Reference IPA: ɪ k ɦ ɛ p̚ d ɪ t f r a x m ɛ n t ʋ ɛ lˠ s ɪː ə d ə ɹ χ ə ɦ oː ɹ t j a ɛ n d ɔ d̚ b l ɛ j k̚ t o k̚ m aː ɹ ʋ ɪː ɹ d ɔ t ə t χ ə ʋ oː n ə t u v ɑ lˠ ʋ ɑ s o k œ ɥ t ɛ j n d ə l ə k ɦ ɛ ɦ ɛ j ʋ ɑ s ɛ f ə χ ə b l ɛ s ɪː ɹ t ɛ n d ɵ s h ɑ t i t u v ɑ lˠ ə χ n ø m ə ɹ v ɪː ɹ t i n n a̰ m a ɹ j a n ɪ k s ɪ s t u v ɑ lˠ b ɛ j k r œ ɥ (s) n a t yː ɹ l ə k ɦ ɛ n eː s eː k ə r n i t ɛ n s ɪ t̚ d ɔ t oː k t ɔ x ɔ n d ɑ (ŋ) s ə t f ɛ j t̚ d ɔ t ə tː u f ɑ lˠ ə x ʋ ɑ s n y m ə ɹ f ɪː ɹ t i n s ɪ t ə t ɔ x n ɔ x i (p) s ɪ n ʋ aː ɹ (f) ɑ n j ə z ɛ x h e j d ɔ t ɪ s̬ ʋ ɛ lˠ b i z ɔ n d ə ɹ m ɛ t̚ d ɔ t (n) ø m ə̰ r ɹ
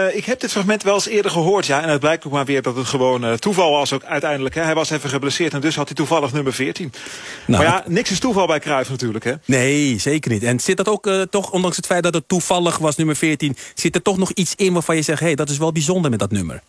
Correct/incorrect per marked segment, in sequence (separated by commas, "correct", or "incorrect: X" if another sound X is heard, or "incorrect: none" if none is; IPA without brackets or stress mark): incorrect: f, correct, incorrect: t, correct, correct